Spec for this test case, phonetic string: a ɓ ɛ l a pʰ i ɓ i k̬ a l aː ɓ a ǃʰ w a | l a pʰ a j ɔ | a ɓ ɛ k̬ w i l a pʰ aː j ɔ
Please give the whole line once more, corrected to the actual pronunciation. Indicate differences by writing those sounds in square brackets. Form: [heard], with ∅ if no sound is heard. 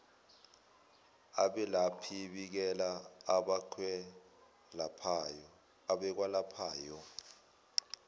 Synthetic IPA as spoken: a ɓ ɛ l a pʰ i ɓ i k̬ [ɛ] l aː ɓ a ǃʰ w [ɛ] | l a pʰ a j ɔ | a ɓ ɛ k̬ w [a] l a pʰ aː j ɔ